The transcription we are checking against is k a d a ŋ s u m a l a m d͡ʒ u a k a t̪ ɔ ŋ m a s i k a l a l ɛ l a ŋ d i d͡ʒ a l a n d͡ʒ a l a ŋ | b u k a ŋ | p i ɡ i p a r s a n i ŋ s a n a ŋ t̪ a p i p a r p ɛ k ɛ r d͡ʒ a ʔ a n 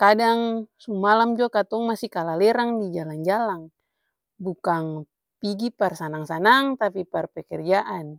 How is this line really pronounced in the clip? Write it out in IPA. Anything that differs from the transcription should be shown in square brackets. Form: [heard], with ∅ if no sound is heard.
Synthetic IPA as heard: k a d a ŋ s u m a l a m d͡ʒ u a k a t̪ ɔ ŋ m a s i k a l a l ɛ [ɾ] a ŋ d i d͡ʒ a l a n d͡ʒ a l a ŋ | b u k a ŋ | p i ɡ i p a r s a n [a] ŋ s a n a ŋ t̪ a p i p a r p ɛ k ɛ r d͡ʒ a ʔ a n